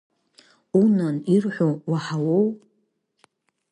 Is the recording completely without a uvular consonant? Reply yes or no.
yes